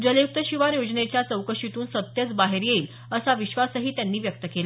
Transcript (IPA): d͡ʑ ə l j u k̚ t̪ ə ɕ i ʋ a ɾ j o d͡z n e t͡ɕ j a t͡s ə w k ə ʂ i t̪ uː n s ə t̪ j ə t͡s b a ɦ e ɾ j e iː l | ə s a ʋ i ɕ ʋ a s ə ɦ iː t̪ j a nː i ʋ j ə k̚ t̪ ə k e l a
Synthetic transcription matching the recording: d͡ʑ ə l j u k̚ t̪ ə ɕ i ʋ a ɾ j o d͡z n e t͡ɕ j a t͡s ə w k ə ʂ i t̪ uː n s ə t̪ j ə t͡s b a ɦ e ɾ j e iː l | ə s a ʋ i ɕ ʋ a s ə ɦ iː t̪ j a nː iː ʋ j ə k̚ t̪ ə k e l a

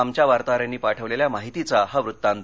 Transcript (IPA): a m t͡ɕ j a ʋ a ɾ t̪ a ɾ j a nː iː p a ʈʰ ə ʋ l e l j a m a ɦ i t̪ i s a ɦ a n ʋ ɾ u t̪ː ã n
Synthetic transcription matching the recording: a m t͡ɕ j a ʋ a ɾ t̪ a ɾ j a nː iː p a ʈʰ ə ʋ l e l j a m a ɦ i t̪ i t͡s a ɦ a ʋ ɾ u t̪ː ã n

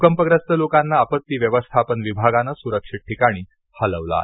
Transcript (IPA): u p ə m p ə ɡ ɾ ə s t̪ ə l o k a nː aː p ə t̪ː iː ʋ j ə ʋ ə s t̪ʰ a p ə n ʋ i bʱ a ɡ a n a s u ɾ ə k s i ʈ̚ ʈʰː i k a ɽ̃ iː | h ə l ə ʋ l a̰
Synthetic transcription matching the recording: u k ə m p ə ɡ ɾ ə s t̪ ə l o k a nː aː p ə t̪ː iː ʋ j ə ʋ ə s t̪ʰ a p ə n ʋ i bʱ a ɡ a n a s u ɾ ə k ʂ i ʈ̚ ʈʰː i k a ɽ̃ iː | h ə l ə ʋ l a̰

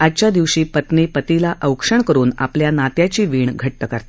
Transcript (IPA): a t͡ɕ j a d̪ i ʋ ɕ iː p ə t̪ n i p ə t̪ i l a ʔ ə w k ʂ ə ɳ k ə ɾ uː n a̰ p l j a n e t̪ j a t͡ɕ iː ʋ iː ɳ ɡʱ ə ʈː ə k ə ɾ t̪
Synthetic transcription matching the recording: a t͡ɕ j a d̪ i ʋ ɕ iː p ə t̪ n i p ə t̪ i l a ʔ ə w k ʂ ə ɳ k ə ɾ uː n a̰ p l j a n a t̪ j a t͡ɕ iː ʋ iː ɳ ɡʱ ə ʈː ə k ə ɾ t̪

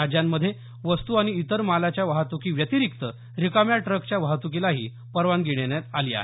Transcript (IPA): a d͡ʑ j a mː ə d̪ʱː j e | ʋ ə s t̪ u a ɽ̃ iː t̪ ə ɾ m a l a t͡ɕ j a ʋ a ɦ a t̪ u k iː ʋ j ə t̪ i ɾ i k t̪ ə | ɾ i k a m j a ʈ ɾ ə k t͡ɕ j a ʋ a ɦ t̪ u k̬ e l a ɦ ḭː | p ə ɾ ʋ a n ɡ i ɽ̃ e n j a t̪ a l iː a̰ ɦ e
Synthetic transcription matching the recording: a d͡ʑ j a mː ə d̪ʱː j e | ʋ ə s t̪ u a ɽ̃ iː t̪ ə ɾ m a l a t͡ɕ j a ʋ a ɦ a t̪ u k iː ʋ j ə t̪ i ɾ i k t̪ ə | ɾ i k a m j a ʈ ɾ ə k t͡ɕ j a ʋ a ɦ t̪ u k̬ i l a ɦ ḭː | p ə ɾ ʋ a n ɡ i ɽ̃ e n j a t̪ a l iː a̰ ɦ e

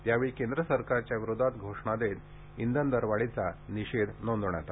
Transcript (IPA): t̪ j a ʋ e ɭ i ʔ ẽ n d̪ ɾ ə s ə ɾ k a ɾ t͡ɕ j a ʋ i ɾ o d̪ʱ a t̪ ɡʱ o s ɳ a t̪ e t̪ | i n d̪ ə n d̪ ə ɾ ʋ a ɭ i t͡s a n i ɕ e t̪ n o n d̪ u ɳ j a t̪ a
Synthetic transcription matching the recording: t̪ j a ʋ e ɭ i k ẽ n d̪ ɾ ə s ə ɾ k a ɾ t͡ɕ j a ʋ i ɾ o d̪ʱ a t̪ ɡʱ o ʂ ɳ a d̪ e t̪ | i n d̪ ə n d̪ ə ɾ ʋ a ɭ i t͡s a n i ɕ e d̪ n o n d̪ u ɳ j a t̪ a

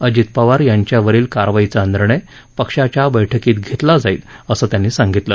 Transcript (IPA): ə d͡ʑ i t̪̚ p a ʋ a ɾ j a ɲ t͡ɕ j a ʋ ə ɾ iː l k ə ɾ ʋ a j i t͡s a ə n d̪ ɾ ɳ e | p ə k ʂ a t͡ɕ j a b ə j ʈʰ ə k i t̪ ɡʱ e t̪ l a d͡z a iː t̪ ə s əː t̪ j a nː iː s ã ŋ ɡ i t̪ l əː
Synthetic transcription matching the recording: ə d͡ʑ i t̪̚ p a ʋ a ɾ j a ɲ t͡ɕ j a ʋ ə ɾ iː l k a ɾ ʋ a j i t͡s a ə n d̪ ɾ ɳ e | p ə k ʂ a t͡ɕ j a b ə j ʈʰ ə k iː t̪ ɡʱ e t̪ l a d͡z a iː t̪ ə s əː t̪ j a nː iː s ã ŋ ɡ i t̪ l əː

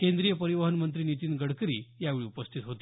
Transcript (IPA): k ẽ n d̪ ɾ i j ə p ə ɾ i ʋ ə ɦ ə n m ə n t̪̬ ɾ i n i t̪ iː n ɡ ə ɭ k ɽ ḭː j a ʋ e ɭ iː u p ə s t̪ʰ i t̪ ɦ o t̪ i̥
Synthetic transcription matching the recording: k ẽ n d̪ ɾ i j ə p ə ɾ i ʋ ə ɦ ə n m ə n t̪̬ ɾ i n i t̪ iː n ɡ ə ɽ k ɾ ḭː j a ʋ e ɭ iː u p ə s t̪ʰ i t̪ ɦ o t̪ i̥

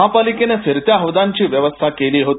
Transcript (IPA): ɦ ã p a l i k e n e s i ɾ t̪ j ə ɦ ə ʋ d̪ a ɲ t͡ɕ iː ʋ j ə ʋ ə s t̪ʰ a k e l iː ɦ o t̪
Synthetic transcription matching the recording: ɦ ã p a l i k e n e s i ɾ t̪ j a ɦ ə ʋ d̪ a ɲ t͡ɕ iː ʋ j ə ʋ ə s t̪ʰ a k e l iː ɦ o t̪

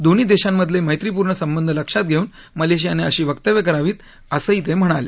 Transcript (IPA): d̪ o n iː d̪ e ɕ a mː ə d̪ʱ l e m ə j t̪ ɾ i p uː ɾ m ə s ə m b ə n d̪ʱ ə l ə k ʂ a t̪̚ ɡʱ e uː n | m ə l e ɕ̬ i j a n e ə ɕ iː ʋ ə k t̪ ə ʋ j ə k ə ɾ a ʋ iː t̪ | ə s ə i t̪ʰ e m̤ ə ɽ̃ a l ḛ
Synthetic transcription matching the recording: d̪ o n iː d̪ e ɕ a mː ə d̪ʱ l e m ə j t̪ ɾ i p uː ɾ ɳ ə s ə m b ə n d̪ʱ ə l ə k ʂ a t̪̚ ɡʱ e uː n | m ə l e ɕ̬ i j a n e ə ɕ iː ʋ ə k t̪ ə ʋ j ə k ə ɾ a ʋ iː t̪ | ə s ə i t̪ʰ e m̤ ə ɽ̃ a l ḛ

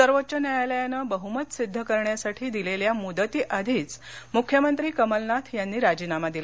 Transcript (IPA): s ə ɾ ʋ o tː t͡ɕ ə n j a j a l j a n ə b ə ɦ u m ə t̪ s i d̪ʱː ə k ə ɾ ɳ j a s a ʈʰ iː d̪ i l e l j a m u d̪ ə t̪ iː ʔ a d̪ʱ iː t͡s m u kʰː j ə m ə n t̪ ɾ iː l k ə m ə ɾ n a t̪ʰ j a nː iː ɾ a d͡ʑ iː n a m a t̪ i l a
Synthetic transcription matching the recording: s ə ɾ ʋ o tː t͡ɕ ə n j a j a l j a n ə b ə ɦ u m ə t̪ s i d̪ʱː ə k ə ɾ ɳ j a s a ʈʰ iː d̪ i l e l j a m u d̪ ə t̪ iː ʔ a d̪ʱ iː t͡s m u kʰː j ə m ə n t̪ ɾ iː k ə m ə l n a t̪ʰ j a nː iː ɾ a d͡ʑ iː n a m a d̪ i l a

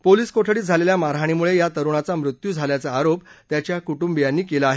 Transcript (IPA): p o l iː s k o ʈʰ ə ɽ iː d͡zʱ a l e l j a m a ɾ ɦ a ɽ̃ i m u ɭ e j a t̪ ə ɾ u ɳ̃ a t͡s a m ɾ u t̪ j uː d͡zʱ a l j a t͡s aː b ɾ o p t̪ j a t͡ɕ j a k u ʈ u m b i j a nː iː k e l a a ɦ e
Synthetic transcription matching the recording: p o l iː s k o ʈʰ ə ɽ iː d͡zʱ a l e l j a m a ɾ ɦ a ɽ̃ i m u ɭ e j a t̪ ə ɾ u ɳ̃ a t͡s a m ɾ u t̪ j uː d͡zʱ a l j a t͡s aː ɾ o p t̪ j a t͡ɕ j a k u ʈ u m b i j a nː iː k e l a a ɦ e

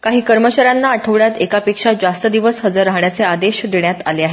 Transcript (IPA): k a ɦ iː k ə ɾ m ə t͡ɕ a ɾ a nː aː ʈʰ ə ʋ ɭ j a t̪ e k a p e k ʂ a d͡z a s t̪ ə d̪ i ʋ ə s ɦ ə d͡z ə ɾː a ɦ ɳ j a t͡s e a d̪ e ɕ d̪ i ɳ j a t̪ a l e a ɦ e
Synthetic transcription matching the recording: k a ɦ iː k ə ɾ m ə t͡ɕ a ɾ a nː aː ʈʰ ə ʋ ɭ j a t̪ e k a p e k ʂ a d͡z a s t̪ ə d̪ i ʋ ə s ɦ ə d͡z ə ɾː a ɦ ɳ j a t͡s e a d̪ e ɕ d̪ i ɳ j a t̪ a l e a ɦ e

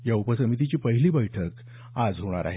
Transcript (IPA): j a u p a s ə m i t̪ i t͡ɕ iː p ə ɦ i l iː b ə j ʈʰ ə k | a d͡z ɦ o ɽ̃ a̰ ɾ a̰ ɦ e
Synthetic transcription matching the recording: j a u p ə s ə m i t̪ i t͡ɕ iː p ə ɦ i l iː b ə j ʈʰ ə k | a d͡z ɦ o ɽ̃ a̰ ɾ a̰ ɦ e

